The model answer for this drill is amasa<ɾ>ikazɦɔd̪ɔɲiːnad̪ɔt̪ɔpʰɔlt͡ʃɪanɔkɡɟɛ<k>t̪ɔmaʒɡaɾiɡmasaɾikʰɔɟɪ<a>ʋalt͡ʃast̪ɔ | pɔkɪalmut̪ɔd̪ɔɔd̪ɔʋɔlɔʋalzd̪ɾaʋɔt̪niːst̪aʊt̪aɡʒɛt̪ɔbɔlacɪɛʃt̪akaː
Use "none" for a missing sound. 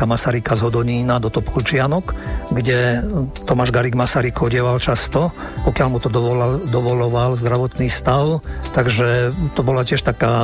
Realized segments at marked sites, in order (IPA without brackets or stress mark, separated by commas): ɾ, none, ɛ